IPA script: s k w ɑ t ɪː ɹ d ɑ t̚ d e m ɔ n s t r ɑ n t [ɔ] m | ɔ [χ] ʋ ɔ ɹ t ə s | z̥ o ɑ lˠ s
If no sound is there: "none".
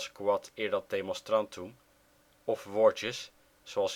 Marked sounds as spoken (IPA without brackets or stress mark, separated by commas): u, f